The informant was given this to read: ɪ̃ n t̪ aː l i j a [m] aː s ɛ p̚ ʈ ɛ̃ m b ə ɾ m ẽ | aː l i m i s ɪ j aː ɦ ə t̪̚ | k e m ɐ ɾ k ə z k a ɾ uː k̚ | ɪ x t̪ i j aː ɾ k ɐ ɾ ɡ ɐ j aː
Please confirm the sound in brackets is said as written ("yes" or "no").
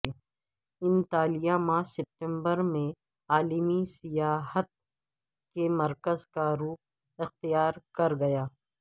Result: yes